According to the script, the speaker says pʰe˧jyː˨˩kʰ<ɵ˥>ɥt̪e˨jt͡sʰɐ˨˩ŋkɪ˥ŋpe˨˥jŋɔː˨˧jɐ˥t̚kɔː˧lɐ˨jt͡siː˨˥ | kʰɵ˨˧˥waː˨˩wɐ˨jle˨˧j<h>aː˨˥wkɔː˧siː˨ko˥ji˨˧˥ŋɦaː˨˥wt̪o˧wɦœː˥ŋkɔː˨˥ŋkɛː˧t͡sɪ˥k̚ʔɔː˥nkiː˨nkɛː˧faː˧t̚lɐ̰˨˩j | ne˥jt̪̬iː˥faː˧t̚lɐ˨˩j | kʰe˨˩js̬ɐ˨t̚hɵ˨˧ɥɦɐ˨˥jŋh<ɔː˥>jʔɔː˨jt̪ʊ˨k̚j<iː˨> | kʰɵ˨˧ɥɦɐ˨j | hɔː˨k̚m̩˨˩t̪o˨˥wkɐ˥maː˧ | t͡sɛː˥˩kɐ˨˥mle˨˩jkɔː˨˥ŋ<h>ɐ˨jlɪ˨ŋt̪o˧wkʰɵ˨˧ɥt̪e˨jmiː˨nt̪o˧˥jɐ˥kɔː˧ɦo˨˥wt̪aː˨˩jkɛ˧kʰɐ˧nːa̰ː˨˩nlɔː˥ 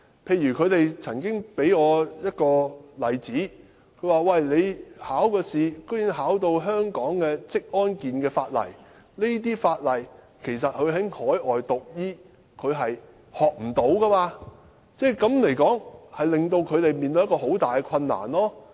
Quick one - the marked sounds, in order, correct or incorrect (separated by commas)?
incorrect, correct, incorrect, incorrect, correct